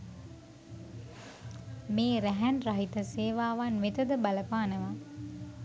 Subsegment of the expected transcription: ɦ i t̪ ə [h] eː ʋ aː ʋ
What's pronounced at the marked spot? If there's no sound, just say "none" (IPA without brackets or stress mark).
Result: s